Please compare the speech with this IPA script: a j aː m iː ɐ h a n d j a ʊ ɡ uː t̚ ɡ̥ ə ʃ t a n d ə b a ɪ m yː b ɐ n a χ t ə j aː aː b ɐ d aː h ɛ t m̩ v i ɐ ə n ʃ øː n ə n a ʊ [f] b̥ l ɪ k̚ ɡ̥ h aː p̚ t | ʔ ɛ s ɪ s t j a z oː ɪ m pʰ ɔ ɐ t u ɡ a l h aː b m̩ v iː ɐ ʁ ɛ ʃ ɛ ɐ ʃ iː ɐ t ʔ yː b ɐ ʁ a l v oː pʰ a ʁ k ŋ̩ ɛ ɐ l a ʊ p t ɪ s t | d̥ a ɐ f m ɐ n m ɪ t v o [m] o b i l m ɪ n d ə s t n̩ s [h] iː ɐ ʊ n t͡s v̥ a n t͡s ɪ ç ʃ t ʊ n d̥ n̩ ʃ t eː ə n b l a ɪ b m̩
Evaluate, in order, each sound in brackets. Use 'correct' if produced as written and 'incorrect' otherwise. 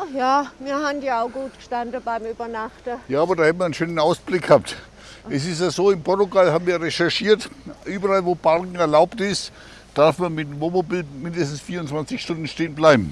incorrect: s, correct, incorrect: f

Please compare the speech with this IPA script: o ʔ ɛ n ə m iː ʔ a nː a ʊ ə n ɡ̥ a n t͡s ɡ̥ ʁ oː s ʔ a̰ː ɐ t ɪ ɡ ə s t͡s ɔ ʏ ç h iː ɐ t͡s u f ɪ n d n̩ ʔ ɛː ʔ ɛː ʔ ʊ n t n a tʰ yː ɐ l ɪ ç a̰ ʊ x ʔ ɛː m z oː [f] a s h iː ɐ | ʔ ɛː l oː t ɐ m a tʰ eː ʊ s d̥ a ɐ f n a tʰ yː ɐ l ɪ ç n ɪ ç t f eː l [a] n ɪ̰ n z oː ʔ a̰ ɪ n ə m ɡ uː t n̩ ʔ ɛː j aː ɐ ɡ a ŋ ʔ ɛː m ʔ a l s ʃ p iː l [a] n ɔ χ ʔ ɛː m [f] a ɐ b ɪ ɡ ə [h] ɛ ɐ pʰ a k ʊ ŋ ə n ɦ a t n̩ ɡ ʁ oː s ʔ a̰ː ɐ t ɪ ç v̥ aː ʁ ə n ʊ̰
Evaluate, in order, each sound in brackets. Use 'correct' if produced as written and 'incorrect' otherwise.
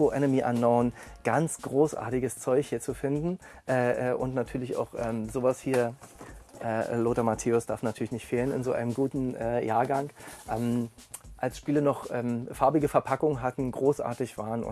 incorrect: v, incorrect: ə, incorrect: ə, correct, incorrect: f

